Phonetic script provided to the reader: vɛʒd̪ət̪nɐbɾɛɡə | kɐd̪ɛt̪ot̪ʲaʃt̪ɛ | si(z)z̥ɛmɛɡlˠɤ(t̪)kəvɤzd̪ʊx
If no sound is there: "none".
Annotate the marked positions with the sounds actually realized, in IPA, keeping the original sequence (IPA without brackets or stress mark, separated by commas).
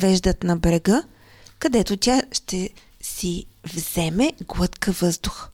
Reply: v, t̪